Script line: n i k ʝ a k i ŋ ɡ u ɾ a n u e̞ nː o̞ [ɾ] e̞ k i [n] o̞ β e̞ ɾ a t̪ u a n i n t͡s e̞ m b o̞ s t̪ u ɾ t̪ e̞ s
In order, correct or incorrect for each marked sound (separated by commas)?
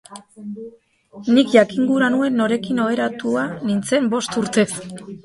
correct, correct